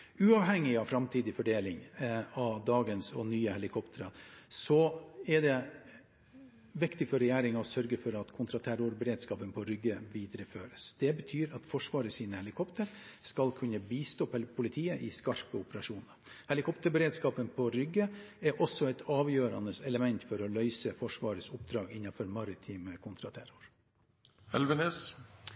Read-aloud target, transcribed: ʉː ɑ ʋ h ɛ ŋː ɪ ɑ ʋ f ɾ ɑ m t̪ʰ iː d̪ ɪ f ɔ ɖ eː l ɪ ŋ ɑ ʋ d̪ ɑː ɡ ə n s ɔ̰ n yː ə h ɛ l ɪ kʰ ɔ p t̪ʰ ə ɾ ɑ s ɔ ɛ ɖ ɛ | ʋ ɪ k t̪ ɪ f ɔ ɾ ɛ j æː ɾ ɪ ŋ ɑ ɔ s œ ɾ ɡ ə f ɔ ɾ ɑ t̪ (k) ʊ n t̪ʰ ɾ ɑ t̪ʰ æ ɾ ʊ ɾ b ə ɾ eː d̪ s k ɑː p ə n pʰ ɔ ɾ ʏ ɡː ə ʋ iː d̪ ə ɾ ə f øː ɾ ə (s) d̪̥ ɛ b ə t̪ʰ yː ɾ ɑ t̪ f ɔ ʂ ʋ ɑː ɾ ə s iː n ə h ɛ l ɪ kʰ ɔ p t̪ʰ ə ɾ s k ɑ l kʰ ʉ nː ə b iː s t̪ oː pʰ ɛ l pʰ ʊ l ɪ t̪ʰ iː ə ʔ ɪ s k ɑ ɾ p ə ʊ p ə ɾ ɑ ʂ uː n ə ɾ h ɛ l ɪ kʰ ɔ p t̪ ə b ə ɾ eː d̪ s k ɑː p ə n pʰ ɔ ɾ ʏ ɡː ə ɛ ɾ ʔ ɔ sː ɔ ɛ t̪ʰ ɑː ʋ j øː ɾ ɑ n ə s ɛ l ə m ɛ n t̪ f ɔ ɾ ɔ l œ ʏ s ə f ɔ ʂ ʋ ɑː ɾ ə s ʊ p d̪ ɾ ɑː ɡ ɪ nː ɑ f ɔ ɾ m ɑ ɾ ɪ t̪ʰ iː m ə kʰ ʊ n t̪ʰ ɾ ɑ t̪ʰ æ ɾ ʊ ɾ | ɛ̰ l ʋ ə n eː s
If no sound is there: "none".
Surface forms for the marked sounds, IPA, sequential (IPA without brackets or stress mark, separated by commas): kʰ, s